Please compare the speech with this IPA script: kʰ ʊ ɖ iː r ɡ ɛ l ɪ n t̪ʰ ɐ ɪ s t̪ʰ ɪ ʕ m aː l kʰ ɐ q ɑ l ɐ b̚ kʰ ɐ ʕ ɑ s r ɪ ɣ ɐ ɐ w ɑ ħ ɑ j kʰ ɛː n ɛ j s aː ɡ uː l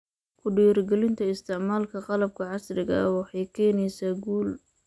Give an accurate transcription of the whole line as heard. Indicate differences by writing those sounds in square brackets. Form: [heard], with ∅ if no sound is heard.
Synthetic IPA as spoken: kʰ ʊ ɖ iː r ɡ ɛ l ɪ n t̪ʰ ɐ ɪ s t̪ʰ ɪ ʕ m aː l kʰ ɐ q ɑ l ɐ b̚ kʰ ɐ ʕ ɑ s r ɪ ɣ ɐ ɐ w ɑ ħ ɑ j kʰ ɛː n ɛ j s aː ɡ uː l